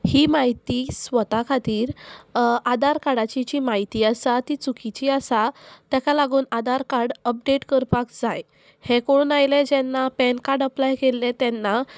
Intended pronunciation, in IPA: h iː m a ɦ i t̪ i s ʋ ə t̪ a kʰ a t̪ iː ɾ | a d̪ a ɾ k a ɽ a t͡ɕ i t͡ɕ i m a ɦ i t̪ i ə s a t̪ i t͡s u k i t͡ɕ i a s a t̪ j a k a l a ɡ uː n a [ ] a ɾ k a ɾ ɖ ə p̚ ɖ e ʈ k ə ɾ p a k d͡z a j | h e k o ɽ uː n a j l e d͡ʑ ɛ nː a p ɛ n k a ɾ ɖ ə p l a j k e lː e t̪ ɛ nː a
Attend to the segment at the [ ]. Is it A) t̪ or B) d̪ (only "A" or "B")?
B